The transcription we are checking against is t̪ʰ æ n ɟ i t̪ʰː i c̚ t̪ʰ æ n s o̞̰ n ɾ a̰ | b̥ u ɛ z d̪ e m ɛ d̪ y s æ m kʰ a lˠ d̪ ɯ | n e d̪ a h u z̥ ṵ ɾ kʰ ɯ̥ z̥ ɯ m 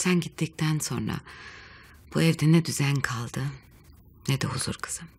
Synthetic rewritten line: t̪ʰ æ n ɟ i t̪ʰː i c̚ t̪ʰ æ n s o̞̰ n ɾ a̰ | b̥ u ɛ v d̪ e n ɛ d̪ y z æ n kʰ a lˠ d̪ ɯ | n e d̪ ɛ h u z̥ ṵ ɾ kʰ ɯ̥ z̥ ɯ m